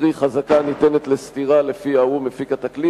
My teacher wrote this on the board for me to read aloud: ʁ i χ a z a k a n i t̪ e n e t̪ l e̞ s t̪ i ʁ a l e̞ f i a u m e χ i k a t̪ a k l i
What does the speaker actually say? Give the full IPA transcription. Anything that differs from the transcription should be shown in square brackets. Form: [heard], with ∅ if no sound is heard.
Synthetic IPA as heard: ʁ i χ a z a k a n i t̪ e n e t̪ l e̞ s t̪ i ʁ a l e̞ f i a u m e [f] i k a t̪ a k l i